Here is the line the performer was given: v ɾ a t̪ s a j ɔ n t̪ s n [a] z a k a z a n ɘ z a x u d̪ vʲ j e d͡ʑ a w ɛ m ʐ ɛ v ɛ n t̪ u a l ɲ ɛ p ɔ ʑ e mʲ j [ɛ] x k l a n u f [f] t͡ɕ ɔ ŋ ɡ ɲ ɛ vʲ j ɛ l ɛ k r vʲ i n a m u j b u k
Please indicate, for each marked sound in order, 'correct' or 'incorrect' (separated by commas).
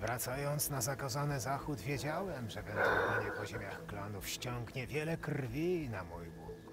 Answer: correct, incorrect, incorrect